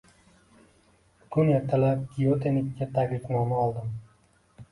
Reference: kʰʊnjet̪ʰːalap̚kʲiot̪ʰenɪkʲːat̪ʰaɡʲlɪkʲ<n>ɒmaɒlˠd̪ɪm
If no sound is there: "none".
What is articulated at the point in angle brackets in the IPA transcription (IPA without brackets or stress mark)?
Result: n